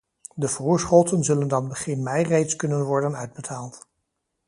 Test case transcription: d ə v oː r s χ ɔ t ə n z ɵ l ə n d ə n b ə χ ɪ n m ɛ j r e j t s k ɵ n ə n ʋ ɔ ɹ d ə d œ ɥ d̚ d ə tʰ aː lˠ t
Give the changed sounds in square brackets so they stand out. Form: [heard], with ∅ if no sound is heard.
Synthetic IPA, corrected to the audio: d ə v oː [ɹ] s χ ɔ t ə n z ɵ l ə n d [ɑ] n b ə χ ɪ n m ɛ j r e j t s k ɵ n ə n ʋ ɔ ɹ d ə [n] œ ɥ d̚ [b] ə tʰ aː lˠ t

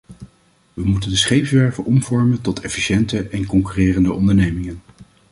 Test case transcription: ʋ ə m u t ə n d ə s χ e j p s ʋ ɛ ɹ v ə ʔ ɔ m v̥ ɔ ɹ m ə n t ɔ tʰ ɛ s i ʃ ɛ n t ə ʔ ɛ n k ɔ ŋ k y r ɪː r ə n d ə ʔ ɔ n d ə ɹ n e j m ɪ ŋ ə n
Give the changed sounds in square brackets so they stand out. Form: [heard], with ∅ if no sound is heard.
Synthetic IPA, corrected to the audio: ʋ ə m u t ə n d ə s χ e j p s ʋ ɛ ɹ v ə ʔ ɔ m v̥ ɔ ɹ m ə n t ɔ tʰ ɛ [f] i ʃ ɛ n t ə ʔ ɛ n k ɔ ŋ k y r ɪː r ə n d ə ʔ ɔ n d ə ɹ n e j m ɪ ŋ ə n

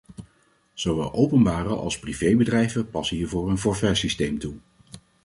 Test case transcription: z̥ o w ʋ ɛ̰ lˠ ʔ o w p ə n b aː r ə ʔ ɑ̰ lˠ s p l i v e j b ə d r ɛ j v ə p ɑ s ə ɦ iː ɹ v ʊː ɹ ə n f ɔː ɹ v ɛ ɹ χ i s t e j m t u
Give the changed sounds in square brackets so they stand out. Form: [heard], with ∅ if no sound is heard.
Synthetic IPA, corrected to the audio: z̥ o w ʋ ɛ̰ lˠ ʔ o w p ə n b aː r ə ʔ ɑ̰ lˠ s p [r] i v e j b ə d r ɛ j v ə p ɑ s ə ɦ iː ɹ v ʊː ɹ ə n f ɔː ɹ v ɛ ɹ [s] i s t e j m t u

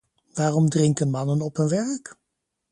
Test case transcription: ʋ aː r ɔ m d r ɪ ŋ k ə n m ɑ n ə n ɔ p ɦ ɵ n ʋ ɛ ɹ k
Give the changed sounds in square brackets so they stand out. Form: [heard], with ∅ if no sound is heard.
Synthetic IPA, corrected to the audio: ʋ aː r ɔ m d r ɪ ŋ k ə n m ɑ n ə n ɔ p ɦ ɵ n ʋ ɛ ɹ k

